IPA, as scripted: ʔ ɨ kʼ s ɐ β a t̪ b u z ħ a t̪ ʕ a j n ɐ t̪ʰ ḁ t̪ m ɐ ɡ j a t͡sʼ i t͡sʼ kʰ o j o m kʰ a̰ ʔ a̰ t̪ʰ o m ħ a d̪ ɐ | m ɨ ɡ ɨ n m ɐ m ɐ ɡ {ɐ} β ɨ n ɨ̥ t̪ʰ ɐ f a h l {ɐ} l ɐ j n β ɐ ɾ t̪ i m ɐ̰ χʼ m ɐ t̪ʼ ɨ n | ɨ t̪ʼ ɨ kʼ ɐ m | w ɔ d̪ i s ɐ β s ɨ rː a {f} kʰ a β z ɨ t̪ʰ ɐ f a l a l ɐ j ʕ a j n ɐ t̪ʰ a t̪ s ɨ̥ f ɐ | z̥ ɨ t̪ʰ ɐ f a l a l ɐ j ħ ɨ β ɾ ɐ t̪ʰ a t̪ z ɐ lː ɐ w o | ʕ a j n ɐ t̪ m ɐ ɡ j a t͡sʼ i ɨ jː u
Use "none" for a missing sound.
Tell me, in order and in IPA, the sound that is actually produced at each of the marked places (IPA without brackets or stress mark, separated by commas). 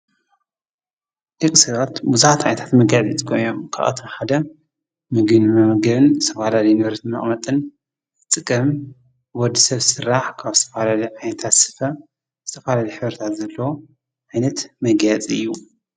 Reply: ɐ, a, ħ